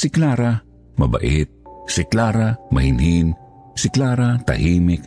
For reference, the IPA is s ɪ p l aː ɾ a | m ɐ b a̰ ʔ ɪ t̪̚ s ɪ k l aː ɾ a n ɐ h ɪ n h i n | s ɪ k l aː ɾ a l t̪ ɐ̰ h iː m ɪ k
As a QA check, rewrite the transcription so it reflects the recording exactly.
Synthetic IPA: s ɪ k l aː ɾ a | m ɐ b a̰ ʔ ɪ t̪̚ s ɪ k l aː ɾ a m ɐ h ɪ n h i n | s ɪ k l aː ɾ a t̪ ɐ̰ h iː m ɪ k